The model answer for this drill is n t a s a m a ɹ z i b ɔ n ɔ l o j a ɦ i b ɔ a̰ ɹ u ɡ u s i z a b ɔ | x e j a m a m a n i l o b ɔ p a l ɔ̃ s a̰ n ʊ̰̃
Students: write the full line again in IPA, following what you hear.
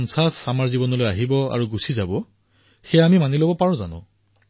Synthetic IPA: n s a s a m a ɹ z i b ɔ n ɔ l o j a ɦ i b ɔ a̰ ɹ u ɡ u s i z a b ɔ | x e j a m i m a n i l o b ɔ p a ɹ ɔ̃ z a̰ n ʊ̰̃